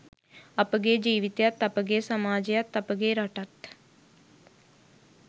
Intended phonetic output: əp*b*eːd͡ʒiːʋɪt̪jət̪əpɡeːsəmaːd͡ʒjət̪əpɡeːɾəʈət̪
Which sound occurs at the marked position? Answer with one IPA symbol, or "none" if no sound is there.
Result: ɡ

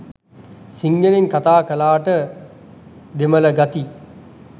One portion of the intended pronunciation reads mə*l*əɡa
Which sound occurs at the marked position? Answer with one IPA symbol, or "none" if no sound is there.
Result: l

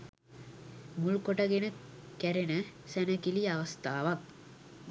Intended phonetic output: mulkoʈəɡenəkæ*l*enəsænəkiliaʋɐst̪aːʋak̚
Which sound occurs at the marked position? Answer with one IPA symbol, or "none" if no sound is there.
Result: ɾ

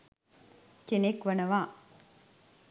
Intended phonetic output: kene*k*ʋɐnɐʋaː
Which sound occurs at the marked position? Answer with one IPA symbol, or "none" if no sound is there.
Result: k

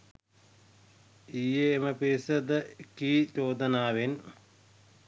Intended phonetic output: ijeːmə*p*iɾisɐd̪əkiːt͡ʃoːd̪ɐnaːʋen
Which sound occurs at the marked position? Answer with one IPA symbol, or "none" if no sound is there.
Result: p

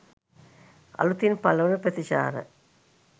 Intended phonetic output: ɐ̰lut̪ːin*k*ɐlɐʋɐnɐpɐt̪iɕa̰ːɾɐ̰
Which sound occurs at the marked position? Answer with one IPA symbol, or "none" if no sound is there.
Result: p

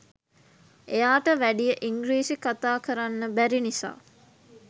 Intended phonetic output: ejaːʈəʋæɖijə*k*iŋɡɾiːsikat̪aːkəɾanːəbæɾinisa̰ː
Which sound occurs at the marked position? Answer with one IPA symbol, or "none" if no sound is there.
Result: ʔ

